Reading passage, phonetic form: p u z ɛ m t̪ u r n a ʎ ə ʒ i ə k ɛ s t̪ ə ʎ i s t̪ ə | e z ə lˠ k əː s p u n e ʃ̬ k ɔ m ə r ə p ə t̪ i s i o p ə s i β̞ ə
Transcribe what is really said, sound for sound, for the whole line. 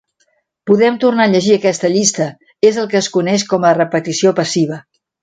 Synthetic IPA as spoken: p u ð ɛ m t̪ u r n a ʎ ə ʒ i ə k ɛ s t̪ ə ʎ i s t̪ ə | e z ə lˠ k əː s k u n ɛ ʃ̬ k ɔ m ə r ə p ə t̪ i s i o p ə s i β̞ ə